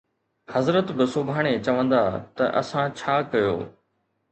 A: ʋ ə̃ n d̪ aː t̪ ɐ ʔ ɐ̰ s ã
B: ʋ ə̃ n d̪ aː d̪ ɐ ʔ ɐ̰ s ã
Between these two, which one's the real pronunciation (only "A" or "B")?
A